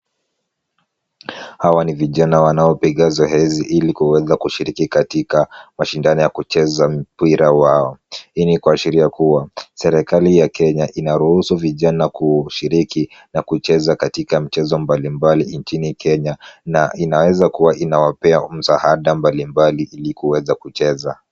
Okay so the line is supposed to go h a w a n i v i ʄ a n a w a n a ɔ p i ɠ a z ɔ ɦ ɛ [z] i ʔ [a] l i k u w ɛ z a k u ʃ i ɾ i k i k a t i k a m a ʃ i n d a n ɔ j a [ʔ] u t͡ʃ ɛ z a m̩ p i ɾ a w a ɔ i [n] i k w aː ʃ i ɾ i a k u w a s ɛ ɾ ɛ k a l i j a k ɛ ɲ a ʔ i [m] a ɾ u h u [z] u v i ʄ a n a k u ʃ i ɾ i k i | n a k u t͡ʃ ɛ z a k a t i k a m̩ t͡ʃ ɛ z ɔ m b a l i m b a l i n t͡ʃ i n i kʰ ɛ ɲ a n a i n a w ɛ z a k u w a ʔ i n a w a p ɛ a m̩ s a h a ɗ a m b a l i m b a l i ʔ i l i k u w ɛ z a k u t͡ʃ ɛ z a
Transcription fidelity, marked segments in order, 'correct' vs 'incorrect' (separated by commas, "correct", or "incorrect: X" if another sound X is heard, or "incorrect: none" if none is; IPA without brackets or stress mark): correct, incorrect: i, incorrect: k, correct, incorrect: n, incorrect: s